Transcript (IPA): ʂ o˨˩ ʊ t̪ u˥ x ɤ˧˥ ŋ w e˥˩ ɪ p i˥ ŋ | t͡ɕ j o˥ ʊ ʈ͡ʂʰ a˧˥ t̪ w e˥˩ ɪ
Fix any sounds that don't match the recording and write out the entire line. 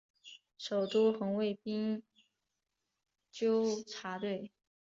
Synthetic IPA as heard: ʂ o˨˩ ʊ t̪ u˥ x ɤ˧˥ ŋ w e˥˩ ɪ p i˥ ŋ | t͡ɕ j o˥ ʊ ʈ͡ʂʰ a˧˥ t̪ w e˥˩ ɪ